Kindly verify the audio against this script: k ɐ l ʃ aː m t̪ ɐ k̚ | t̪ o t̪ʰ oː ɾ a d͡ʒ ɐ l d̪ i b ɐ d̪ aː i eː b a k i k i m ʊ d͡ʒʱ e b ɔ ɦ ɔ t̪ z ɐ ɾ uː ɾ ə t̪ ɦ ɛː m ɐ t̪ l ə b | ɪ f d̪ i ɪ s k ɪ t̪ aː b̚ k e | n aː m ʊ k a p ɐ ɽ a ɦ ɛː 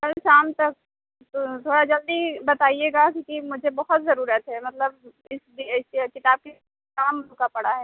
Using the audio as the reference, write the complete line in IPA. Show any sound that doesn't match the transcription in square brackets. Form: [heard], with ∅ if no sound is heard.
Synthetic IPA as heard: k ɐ l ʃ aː m t̪ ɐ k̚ | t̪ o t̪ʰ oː [ɽ] a d͡ʒ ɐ l d̪ i b ɐ [t̪] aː i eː [ɡ] a k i k i m ʊ d͡ʒʱ e b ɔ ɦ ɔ t̪ z ɐ ɾ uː ɾ ə t̪ ɦ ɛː m ɐ t̪ l ə b | ɪ [s] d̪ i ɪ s k ɪ t̪ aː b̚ k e | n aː m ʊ k a p ɐ ɽ a ɦ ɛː

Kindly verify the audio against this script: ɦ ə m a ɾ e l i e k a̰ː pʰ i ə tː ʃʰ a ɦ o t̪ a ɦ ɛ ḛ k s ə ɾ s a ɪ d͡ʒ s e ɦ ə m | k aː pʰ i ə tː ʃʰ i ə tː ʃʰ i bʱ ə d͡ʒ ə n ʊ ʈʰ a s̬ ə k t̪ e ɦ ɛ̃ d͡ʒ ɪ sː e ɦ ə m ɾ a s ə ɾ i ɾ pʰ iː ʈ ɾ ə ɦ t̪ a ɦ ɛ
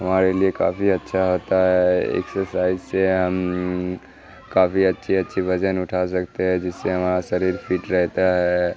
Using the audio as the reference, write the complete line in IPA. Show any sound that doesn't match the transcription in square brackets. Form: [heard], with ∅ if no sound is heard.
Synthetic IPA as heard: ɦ ə m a ɾ e l i e k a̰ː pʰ i ə tː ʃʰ a ɦ o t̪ a ɦ ɛ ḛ k s ə ɾ s a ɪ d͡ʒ s e ɦ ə m | k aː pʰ i ə tː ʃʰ i ə tː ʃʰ i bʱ ə d͡ʒ ə n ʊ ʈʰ a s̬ ə k t̪ e ɦ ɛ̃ d͡ʒ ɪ sː e ɦ ə m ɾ a s ə ɾ i ɾ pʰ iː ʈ ɾ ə ɦ t̪ a ɦ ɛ

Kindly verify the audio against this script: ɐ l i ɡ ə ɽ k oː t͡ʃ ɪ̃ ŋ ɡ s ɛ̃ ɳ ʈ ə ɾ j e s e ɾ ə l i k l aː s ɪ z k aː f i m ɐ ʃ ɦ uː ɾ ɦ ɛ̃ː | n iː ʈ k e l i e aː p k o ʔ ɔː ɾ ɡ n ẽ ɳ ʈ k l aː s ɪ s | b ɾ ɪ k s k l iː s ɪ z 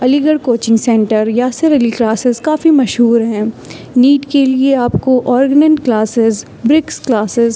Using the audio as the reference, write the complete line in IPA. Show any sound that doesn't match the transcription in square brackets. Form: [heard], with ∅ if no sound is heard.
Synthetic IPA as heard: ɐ l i ɡ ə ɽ k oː t͡ʃ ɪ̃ ŋ ɡ s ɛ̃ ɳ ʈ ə ɾ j [a] s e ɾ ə l i k l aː s ɪ z k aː f i m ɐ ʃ ɦ uː ɾ ɦ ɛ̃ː | n iː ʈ k e l i e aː p k o ʔ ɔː ɾ ɡ n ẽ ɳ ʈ k l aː s ɪ [z] | b ɾ ɪ k s k l [aː] s ɪ z

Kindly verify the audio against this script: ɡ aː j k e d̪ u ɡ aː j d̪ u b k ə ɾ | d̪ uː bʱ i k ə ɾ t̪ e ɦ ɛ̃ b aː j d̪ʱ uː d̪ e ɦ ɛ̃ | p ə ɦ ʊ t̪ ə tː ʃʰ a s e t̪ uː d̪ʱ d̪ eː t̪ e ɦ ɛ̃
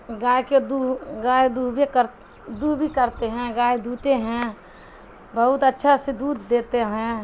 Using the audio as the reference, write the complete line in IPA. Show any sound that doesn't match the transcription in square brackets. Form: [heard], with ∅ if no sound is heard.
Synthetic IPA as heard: ɡ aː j k e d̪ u ɡ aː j d̪ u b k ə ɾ | d̪ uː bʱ i k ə ɾ t̪ e ɦ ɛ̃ [ɡ] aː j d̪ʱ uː [t̪] e ɦ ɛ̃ | [b] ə ɦ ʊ t̪ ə tː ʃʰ a s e [d̪] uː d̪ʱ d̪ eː t̪ e ɦ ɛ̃

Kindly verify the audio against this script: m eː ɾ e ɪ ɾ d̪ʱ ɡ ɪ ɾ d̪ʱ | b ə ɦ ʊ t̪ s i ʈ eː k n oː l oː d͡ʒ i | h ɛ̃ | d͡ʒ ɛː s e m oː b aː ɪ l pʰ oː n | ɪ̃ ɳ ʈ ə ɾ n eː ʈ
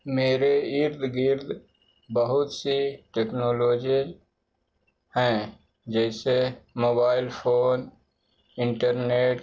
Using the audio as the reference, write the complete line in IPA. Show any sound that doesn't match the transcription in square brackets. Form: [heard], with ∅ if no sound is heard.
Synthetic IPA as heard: m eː ɾ e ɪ ɾ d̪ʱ ɡ ɪ ɾ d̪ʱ | b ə ɦ ʊ t̪ s i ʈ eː k n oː l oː d͡ʒ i | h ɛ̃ | d͡ʒ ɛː s e m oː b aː ɪ l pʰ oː n | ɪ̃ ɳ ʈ ə ɾ n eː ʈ

